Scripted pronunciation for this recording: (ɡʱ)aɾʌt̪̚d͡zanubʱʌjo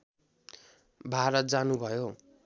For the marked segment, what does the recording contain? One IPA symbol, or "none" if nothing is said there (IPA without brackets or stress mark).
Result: bʱ